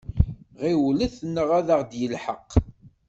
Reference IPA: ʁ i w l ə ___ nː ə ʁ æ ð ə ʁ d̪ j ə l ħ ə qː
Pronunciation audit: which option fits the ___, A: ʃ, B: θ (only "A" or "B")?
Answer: B